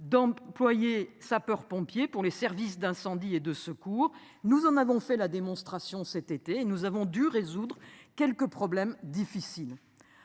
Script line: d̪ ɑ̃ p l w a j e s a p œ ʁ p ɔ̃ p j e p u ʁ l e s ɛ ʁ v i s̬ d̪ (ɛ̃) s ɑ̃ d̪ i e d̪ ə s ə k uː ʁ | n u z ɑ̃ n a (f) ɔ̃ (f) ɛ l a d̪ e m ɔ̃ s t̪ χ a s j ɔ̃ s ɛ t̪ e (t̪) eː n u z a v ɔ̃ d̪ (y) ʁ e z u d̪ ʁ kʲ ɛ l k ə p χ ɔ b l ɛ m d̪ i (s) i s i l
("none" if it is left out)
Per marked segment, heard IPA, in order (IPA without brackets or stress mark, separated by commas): ɛ̃, v, f, t̪, y, f